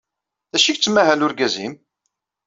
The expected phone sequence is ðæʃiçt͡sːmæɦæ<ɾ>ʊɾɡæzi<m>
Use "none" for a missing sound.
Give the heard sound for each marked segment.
l, m

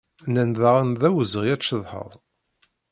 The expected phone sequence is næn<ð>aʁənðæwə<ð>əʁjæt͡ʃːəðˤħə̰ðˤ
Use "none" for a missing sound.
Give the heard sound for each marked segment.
ð, z

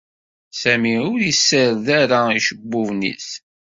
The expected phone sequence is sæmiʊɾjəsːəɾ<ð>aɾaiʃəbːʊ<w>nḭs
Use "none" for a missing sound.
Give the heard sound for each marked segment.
ð, v

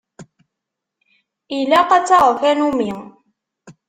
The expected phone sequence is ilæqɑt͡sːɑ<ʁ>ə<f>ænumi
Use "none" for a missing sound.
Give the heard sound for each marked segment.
ʁ, f

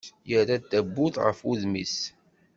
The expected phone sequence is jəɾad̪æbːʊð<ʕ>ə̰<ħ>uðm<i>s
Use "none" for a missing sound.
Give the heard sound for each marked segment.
ʁ, f, i

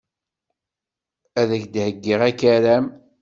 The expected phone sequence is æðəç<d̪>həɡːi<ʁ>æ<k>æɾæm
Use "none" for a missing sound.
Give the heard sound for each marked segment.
d̪, ʁ, k

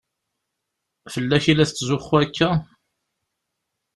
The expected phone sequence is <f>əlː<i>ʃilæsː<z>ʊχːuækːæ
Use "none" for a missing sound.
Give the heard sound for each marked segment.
f, æ, z

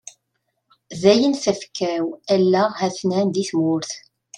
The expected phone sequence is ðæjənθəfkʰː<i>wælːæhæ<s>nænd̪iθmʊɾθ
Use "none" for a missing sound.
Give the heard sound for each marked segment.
æ, θ

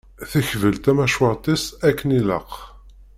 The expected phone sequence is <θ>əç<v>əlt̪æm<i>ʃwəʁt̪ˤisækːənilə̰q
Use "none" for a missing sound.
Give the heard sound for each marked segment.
θ, v, æ

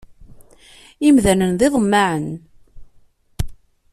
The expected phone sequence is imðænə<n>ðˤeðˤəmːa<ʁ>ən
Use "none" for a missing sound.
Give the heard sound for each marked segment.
n, ʕ

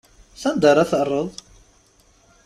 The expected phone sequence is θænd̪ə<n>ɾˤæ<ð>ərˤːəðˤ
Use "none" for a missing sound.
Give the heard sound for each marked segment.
none, θ

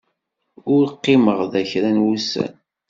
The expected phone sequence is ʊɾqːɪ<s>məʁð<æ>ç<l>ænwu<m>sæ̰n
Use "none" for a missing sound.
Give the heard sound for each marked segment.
none, æ, ɾ, none

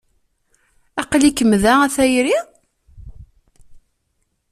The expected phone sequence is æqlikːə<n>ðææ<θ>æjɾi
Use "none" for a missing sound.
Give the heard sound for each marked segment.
m, θ

